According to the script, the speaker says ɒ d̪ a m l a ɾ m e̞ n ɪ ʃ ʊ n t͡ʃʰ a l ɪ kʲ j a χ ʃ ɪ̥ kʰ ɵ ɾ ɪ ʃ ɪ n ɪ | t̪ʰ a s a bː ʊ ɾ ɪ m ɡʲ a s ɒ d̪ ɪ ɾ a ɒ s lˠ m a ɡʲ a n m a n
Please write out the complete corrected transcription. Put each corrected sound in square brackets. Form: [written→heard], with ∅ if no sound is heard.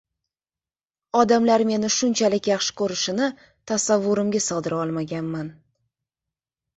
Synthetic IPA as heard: ɒ d̪ a m l a ɾ m e̞ n ɪ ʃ ʊ n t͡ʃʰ a l ɪ kʲ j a χ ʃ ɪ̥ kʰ ɵ ɾ ɪ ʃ ɪ n ɪ | t̪ʰ a s a [bː→vː] ʊ ɾ ɪ m ɡʲ a s ɒ d̪ ɪ ɾ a ɒ [s→∅] lˠ m a ɡʲ a n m a n

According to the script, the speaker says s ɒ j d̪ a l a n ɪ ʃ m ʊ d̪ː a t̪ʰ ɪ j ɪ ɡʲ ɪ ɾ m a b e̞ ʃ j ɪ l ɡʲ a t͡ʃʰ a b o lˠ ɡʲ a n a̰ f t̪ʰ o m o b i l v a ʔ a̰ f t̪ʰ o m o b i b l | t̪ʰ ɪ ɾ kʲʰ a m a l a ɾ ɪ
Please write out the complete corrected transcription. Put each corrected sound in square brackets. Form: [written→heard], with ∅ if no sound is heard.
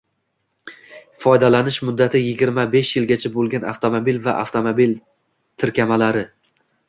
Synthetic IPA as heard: [s→f] ɒ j d̪ a l a n ɪ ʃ m ʊ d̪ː a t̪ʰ ɪ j ɪ ɡʲ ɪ ɾ m a b e̞ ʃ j ɪ l ɡʲ a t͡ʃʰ a b o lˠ ɡʲ a n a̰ f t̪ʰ o m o b i l v a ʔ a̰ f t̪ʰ o m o b i [b→∅] l | t̪ʰ ɪ ɾ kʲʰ a m a l a ɾ ɪ

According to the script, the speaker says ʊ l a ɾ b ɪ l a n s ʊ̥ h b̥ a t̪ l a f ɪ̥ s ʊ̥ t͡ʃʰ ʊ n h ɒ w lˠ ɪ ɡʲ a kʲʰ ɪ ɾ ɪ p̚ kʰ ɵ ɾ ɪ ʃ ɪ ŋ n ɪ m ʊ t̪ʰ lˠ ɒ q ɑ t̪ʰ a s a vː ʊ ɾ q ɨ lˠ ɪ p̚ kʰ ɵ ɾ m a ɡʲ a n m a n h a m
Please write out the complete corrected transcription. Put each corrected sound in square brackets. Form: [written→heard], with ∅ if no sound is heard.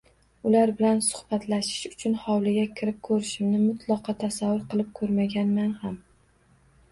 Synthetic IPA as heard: ʊ l a ɾ b ɪ l a n s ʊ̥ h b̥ a t̪ l a [f→ʃ] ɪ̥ [s→ʃ] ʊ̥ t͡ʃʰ ʊ n h ɒ w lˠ ɪ ɡʲ a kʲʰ ɪ ɾ ɪ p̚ kʰ ɵ ɾ ɪ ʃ ɪ [ŋ→m] n ɪ m ʊ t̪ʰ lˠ ɒ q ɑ t̪ʰ a s a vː ʊ ɾ q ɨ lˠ ɪ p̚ kʰ ɵ ɾ m a ɡʲ a n m a n h a m

